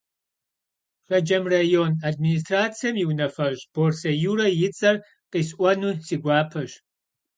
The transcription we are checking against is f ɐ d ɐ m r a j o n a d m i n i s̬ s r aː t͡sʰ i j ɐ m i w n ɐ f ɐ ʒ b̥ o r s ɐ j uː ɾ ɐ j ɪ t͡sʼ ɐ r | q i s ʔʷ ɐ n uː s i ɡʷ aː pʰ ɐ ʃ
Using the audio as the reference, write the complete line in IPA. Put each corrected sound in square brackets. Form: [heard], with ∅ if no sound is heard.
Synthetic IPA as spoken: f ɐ [d͡ʒ] ɐ m r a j o n a d m i n i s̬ [t] r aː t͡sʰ i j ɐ m i w n ɐ f ɐ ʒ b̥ o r s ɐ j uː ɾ ɐ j ɪ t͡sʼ ɐ r | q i s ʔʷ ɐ n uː s i ɡʷ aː pʰ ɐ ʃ